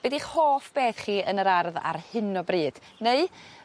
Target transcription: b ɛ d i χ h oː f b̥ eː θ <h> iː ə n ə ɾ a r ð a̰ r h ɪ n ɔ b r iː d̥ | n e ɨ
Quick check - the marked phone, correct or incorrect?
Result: incorrect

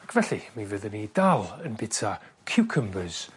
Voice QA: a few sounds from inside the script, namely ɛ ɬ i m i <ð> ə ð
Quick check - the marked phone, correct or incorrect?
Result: incorrect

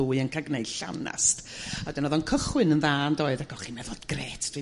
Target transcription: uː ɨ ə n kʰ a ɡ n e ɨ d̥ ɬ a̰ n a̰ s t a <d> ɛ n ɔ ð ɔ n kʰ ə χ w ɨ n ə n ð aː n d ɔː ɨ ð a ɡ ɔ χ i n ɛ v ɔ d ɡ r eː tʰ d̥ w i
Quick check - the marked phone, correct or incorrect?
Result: correct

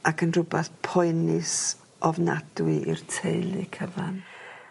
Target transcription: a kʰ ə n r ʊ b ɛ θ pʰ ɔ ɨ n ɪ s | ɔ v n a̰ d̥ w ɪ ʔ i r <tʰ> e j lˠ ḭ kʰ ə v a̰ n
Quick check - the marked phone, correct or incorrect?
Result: correct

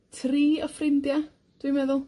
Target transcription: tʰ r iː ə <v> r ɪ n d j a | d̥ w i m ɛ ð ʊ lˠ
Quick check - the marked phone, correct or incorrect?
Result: incorrect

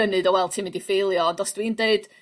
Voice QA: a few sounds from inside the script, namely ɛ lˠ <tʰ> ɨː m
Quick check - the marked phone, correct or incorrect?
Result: correct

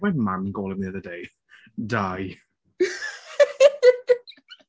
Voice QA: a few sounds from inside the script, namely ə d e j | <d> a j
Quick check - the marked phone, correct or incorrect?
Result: correct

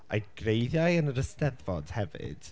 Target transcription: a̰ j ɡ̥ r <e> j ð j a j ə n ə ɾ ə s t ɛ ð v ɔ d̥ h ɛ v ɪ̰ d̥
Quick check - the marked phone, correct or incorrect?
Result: correct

